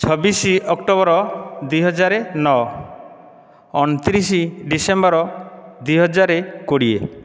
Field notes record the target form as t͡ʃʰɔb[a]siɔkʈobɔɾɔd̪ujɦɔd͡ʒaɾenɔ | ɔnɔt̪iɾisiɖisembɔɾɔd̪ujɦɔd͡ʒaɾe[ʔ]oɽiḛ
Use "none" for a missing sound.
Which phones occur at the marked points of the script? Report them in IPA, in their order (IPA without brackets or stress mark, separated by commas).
i, k